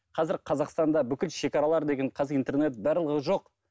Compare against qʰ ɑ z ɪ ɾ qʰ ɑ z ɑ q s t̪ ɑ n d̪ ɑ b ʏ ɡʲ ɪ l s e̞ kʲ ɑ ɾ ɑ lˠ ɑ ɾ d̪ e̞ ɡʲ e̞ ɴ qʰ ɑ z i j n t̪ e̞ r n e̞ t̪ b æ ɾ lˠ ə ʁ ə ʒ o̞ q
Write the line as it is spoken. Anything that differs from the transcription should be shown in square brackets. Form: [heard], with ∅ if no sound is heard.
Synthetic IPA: qʰ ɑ z ɪ ɾ qʰ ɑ z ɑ q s t̪ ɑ n d̪ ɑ b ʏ [kʲ] ɪ l [ʃ] e̞ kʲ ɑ ɾ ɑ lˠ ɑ ɾ d̪ e̞ ɡʲ e̞ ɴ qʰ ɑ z i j n t̪ e̞ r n e̞ t̪ b æ ɾ lˠ ə ʁ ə ʒ o̞ q